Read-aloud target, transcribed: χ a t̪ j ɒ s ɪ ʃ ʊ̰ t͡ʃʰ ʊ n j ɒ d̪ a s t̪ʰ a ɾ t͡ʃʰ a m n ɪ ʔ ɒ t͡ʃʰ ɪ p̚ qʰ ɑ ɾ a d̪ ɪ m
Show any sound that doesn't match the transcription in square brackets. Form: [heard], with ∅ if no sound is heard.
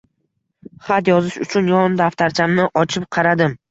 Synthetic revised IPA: χ a t̪ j ɒ [z] ɪ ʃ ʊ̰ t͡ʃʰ ʊ n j ɒ d̪ a [f] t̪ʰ a ɾ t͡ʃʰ a m n ɪ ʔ ɒ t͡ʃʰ ɪ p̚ qʰ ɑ ɾ a d̪ ɪ m